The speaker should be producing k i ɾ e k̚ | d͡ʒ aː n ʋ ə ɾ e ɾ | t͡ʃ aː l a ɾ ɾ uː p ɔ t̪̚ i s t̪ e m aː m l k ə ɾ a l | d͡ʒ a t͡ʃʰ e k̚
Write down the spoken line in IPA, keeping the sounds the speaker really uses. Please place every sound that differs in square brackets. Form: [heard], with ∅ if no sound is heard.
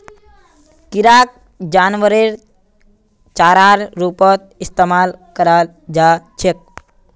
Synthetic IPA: k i ɾ [a] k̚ | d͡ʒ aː n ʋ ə ɾ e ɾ | t͡ʃ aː [ɾ] a ɾ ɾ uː p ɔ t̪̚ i s t̪ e m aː [∅] l k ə ɾ a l | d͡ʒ a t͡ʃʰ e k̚